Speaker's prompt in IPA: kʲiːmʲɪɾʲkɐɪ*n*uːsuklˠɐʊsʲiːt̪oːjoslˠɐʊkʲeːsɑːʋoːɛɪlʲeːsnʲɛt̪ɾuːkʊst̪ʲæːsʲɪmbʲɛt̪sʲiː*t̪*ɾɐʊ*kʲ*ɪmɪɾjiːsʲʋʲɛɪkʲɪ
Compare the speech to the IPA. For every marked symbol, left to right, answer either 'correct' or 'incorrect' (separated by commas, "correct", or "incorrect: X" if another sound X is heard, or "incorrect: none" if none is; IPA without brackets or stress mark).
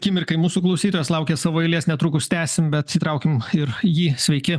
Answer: incorrect: m, correct, correct